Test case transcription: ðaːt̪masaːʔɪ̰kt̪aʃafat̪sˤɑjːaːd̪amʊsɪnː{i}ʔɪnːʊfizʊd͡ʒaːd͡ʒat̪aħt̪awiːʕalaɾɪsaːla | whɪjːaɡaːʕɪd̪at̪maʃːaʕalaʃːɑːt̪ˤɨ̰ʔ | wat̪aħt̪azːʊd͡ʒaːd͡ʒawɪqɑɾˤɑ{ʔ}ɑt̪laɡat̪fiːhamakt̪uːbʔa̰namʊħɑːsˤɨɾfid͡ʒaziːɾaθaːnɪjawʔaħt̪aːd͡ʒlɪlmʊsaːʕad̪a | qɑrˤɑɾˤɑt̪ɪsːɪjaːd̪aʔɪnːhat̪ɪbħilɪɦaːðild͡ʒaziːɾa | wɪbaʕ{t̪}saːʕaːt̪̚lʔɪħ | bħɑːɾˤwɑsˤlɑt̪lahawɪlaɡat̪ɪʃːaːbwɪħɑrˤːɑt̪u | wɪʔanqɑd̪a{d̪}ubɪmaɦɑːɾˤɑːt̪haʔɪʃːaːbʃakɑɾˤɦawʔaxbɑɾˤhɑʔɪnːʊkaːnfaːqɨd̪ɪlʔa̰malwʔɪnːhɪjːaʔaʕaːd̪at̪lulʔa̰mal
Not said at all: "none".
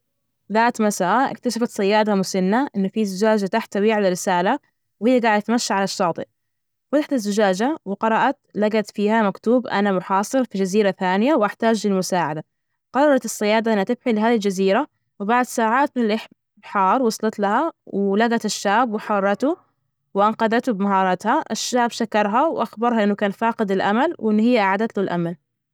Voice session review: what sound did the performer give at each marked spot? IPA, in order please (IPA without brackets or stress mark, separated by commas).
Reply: a, ʔ, d̪, t̪